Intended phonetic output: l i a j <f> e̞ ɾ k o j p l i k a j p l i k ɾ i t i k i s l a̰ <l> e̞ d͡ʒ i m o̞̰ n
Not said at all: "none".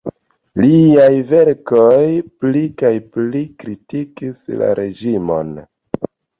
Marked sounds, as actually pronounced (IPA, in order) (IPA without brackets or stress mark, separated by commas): v, ɾ